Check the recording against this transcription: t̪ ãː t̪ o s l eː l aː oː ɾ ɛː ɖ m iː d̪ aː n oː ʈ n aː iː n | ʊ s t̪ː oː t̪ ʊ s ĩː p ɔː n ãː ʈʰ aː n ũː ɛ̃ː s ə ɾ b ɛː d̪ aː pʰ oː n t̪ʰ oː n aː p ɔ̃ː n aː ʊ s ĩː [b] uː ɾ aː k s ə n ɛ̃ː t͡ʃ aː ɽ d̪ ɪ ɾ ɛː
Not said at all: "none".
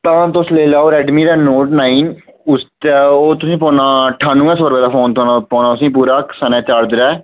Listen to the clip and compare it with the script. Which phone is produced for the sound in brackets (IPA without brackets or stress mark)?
p